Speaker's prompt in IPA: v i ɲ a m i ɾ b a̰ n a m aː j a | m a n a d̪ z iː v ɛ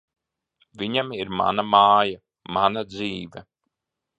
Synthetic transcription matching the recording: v i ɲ a m i ɾ m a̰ n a m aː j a | m a n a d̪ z iː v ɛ